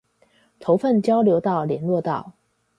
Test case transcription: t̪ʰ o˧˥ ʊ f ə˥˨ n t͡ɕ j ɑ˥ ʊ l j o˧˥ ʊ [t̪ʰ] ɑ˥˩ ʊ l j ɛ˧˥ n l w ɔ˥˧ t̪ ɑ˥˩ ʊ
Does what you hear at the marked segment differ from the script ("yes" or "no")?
yes